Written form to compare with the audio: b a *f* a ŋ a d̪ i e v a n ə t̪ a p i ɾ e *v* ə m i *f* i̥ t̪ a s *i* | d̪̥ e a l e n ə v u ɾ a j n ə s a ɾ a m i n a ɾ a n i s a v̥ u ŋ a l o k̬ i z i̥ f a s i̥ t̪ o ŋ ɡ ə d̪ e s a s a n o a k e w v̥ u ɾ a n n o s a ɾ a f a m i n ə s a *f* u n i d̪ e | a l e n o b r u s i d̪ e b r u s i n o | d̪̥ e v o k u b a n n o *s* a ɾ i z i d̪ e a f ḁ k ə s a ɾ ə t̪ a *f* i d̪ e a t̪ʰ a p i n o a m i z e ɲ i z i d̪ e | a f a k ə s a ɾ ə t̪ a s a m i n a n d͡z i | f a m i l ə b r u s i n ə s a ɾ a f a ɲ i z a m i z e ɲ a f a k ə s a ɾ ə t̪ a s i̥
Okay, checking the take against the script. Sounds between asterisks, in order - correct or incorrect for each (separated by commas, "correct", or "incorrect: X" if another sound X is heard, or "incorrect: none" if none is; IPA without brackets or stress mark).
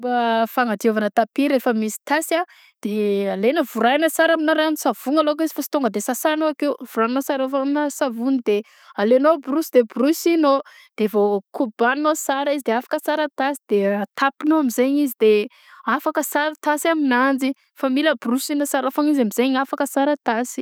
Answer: correct, incorrect: f, incorrect: s, incorrect: a, incorrect: v, correct, incorrect: s